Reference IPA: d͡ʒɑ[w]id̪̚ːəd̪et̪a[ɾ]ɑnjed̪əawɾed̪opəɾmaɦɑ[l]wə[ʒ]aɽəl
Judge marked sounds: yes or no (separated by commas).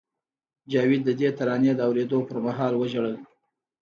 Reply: yes, yes, yes, yes